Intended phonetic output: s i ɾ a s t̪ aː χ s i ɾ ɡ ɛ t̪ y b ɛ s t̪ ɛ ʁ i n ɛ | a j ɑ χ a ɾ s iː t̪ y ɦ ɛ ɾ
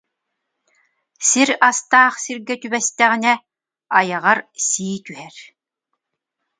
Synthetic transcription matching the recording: s i ɾ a s t̪ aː χ s i ɾ ɡ ɛ t̪ y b ɛ s t̪ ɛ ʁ i n ɛ | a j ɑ ʁ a ɾ s iː t̪ y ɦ ɛ ɾ

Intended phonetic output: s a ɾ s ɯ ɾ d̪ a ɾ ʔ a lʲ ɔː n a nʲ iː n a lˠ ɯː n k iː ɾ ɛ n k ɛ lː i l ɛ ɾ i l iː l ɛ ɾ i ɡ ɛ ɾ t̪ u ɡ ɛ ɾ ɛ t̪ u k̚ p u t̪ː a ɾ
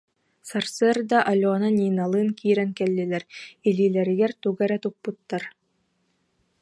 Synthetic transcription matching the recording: s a ɾ s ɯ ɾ d̪ a ʔ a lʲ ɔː n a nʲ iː n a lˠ ɯː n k iː ɾ ɛ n k ɛ lː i l ɛ ɾ i l iː l ɛ ɾ i ɡ ɛ ɾ t̪ u ɡ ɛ ɾ ɛ t̪ u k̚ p u t̪ː a ɾ

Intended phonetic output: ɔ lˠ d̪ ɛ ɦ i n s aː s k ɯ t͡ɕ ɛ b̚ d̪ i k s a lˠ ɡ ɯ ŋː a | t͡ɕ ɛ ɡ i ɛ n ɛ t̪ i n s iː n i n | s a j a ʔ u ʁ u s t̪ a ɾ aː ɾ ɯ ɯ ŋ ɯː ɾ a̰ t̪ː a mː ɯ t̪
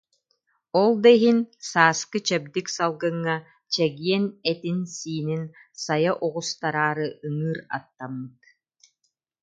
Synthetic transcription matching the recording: ɔ lˠ d̪ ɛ ɦ i n s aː s k ɯ t͡ɕ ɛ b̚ d̪ i k s a lˠ ɡ ɯ ŋː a | t͡ɕ ɛ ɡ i ɛ n ɛ t̪ i n s iː n i n | s a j a ʔ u ʁ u s t̪ a ɾ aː ɾ ɯ ɯ ŋ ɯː ɾ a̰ t̪ː a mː ɯ t̪

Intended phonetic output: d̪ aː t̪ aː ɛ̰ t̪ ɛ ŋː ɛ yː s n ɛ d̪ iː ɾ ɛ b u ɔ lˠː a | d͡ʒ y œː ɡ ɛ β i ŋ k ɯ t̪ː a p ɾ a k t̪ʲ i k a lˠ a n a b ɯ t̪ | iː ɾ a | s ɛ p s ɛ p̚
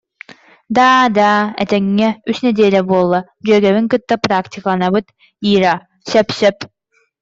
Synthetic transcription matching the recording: d̪ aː d̪ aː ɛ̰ t̪ ɛ ŋː ɛ y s n ɛ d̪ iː l ɛ b u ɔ lˠː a | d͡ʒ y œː ɡ ɛ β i ŋ k ɯ t̪ː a p ɾ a k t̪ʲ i k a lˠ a n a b ɯ t̪ | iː ɾ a | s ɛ p s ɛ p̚

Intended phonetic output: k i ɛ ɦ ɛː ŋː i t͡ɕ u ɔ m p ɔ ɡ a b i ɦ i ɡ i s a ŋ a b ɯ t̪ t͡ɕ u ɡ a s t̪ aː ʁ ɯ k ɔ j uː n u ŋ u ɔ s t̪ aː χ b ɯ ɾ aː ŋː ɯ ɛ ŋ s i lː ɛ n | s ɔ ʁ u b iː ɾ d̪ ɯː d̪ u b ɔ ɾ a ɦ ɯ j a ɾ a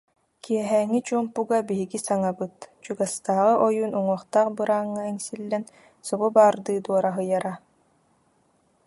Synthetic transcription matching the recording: k i ɛ ɦ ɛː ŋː i t͡ɕ u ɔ m p u ɡ a b i ɦ i ɡ i s a ŋ a b ɯ t̪ t͡ɕ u ɡ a s t̪ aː ʁ ɯ ʔ ɔ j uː n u ŋ u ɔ χ t̪ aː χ b ɯ ɾ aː ŋː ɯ ɛ ŋ s i lː ɛ n | s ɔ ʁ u b aː ɾ d̪ ɯː d̪ u ɔ ɾ a ɦ ɯ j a ɾ a

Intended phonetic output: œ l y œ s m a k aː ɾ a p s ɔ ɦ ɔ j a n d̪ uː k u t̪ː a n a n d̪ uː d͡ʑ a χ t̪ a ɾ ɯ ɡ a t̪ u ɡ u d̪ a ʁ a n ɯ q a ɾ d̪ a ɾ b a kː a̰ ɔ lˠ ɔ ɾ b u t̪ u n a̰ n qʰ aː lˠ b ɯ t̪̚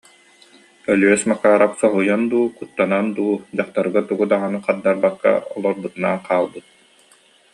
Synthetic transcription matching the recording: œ l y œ s m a k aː ɾ a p s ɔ ɦ u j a n d̪ uː k u t̪ː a n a n d̪ uː d͡ʑ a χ t̪ a ɾ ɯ ɡ a t̪ u ɡ u d̪ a ʁ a n ɯ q a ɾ d̪ a ɾ b a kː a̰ ɔ lˠ ɔ ɾ b u t̪ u n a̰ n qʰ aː lˠ b ɯ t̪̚

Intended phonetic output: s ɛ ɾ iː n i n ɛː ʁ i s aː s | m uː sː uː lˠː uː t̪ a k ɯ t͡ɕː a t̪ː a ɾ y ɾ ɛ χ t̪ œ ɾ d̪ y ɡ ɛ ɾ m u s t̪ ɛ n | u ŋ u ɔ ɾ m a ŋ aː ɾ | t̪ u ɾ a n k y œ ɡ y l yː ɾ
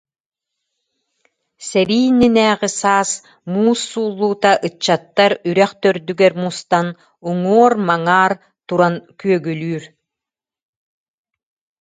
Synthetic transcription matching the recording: s ɛ ɾ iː n i n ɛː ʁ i s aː s | m uː sː uː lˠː uː t̪ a ʔ ɯ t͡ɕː a t̪ː a ɾ y ɾ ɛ χ t̪ œ ɾ d̪ y ɡ ɛ ɾ m u s t̪ a n | u ŋ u ɔ ɾ m a ŋ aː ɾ | t̪ u ɾ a n k y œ ɡ y l yː ɾ

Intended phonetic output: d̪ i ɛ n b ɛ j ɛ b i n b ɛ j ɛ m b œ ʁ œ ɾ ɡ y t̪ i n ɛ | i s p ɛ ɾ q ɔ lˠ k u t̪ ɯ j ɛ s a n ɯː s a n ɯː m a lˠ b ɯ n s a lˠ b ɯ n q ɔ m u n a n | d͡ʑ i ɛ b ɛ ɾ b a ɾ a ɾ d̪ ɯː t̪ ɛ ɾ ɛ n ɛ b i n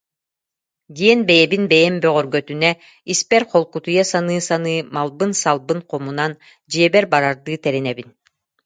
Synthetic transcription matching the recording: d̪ i ɛ n b ɛ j ɛ b i n b ɛ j ɛ m b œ ʁ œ ɾ ɡ œ t̪ y n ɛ | i s p ɛ ɾ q ɔ lˠ k u t̪ u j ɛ s a n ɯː s a n ɯː m a lˠ b ɯ n s a lˠ b ɯ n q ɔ m u n a n | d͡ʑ i ɛ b ɛ ɾ b a ɾ a ɾ d̪ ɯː t̪ ɛ ɾ ɛ n ɛ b i n

